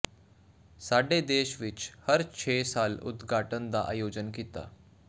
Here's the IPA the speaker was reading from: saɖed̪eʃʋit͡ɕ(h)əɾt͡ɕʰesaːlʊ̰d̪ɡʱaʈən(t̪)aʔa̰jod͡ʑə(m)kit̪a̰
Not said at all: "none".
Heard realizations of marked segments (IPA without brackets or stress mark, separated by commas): h, d̪, n